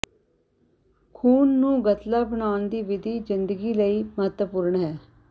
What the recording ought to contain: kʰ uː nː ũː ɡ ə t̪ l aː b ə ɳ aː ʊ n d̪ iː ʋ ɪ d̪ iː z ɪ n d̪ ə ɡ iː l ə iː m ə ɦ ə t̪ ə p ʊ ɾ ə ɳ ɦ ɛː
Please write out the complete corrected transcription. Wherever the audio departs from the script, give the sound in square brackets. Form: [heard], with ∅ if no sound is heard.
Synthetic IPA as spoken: kʰ uː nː ũː ɡ ə t̪ l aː b ə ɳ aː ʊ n d̪ iː ʋ ɪ d̪ iː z ɪ n d̪ ə ɡ iː l ə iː m ə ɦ ə t̪ ə p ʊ ɾ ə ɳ ɦ ɛː